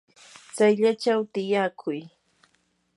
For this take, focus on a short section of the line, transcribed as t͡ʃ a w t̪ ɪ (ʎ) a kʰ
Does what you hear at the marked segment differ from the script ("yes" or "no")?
yes